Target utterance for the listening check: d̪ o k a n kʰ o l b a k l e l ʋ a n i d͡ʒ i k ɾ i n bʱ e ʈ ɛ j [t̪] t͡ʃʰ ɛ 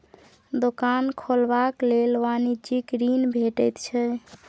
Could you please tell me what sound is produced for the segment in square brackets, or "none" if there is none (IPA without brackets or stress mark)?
t̪